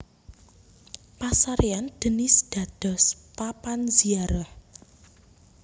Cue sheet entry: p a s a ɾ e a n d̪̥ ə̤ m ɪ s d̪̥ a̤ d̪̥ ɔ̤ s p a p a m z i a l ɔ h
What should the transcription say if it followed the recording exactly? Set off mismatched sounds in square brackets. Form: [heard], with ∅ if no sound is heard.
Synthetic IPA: p a s a ɾ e a n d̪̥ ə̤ [n] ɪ s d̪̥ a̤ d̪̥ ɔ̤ s p a p a [n] z i a [ɾ] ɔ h